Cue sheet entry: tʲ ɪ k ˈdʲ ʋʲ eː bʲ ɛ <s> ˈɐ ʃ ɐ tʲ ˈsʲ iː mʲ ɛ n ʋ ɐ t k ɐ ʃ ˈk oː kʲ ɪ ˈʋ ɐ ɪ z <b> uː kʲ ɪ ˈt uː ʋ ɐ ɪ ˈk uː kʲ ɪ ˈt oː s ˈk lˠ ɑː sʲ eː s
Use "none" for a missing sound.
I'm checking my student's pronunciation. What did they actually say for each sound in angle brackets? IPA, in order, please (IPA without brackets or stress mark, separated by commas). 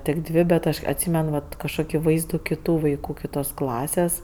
t, d